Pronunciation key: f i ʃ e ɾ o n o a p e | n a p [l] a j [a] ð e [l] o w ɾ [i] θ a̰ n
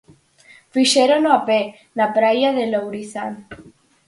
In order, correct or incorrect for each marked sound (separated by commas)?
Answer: incorrect, correct, correct, correct